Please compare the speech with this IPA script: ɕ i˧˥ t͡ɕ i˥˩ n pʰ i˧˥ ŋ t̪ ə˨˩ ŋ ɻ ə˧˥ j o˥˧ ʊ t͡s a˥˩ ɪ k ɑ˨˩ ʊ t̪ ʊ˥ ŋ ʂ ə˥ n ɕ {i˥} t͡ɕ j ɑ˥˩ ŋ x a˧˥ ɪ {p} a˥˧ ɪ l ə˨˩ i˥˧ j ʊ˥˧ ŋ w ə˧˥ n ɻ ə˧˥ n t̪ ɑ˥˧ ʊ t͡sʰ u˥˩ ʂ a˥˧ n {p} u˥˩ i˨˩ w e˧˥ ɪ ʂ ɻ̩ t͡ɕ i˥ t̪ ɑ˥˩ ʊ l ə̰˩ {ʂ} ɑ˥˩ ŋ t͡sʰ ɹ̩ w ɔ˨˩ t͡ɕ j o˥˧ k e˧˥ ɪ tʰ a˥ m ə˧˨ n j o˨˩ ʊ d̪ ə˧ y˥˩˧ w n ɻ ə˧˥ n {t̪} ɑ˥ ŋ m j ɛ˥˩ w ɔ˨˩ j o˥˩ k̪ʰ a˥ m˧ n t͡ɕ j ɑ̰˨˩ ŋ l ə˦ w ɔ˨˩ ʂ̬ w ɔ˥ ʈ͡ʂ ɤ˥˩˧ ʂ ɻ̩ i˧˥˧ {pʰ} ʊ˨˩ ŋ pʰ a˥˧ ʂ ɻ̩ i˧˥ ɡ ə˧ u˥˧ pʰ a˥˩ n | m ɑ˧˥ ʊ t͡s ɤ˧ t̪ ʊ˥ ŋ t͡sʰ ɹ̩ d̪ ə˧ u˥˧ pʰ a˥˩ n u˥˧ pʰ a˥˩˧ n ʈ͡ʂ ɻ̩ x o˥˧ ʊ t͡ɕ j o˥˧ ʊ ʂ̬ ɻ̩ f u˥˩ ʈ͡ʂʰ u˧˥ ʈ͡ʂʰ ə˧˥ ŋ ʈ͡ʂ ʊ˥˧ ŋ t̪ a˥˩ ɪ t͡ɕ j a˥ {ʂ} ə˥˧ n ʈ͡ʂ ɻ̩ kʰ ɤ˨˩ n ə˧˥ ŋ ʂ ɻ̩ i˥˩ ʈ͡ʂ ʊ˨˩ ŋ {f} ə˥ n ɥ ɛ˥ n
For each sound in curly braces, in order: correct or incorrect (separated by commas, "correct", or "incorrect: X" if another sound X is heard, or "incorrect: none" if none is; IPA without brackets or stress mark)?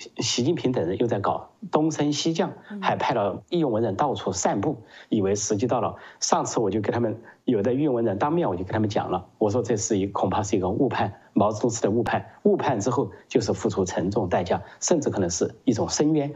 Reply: correct, incorrect: pʰ, correct, correct, correct, incorrect: kʰ, correct, incorrect: ʂ